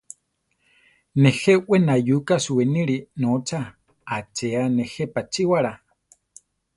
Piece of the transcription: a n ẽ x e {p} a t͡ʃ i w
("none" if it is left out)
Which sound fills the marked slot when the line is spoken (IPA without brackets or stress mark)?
p